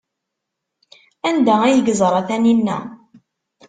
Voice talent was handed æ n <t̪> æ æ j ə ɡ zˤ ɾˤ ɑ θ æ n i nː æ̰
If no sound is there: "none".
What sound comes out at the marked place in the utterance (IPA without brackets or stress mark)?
d̪